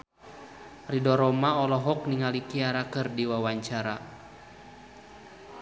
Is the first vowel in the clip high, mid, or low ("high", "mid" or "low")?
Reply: high